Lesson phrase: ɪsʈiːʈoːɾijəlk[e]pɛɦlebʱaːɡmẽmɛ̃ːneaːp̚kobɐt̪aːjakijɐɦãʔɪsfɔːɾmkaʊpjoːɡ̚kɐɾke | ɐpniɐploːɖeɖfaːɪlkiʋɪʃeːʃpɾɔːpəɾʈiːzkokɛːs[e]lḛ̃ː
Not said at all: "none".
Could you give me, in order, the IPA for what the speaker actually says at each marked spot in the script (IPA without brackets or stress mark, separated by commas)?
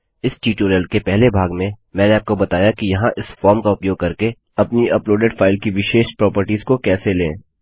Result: e, e